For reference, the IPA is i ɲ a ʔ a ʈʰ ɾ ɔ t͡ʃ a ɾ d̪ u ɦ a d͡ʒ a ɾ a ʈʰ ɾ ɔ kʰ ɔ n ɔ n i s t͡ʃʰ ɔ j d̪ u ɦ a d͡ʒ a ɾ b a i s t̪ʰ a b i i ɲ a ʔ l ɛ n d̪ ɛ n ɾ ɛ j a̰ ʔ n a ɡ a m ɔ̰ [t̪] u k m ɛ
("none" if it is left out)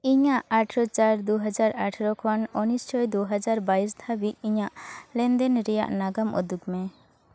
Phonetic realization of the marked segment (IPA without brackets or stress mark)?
d̪